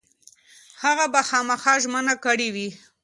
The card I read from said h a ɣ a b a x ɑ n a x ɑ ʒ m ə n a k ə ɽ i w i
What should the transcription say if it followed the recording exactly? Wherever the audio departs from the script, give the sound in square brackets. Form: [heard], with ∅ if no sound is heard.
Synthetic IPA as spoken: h a ɣ a b a x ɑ [m] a x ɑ ʒ m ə n a k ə ɽ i w i